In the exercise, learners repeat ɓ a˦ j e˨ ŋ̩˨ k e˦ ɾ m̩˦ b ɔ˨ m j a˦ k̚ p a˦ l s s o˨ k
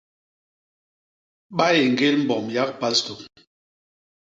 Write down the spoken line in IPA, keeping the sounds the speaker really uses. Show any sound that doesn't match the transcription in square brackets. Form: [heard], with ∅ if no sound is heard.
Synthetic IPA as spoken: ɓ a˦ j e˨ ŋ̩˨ [ɡ] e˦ [l] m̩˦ b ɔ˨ m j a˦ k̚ p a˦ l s [t] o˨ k